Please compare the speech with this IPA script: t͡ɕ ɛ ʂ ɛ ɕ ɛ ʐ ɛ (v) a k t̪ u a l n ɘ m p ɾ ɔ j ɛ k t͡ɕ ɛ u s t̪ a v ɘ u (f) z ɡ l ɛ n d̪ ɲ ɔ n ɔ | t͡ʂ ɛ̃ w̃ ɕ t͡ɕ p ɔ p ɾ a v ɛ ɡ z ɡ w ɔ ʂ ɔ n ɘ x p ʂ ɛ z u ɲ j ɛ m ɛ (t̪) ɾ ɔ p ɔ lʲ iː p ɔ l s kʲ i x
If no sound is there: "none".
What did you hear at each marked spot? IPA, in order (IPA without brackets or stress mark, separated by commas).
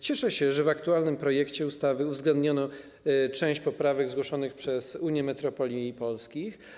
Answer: v, v, t̪